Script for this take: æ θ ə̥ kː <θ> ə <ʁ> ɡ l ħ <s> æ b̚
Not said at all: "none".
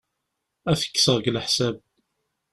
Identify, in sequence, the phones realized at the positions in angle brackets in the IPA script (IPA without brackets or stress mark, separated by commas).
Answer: s, ʁ, s